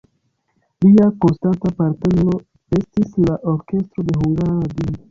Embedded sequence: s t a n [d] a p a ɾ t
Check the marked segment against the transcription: incorrect: t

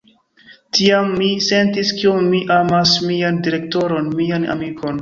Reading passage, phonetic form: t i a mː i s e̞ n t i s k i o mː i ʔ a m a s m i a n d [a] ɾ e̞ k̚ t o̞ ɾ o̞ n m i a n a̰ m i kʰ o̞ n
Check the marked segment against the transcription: incorrect: i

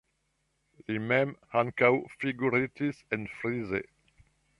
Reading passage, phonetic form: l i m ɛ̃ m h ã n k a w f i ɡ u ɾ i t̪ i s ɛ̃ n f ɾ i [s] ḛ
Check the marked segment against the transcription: incorrect: z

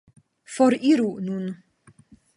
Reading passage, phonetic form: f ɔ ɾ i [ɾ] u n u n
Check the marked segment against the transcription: correct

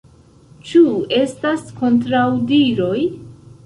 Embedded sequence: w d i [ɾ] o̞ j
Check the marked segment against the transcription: correct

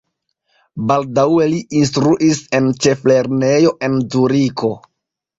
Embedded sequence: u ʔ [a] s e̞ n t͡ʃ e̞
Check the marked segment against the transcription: incorrect: i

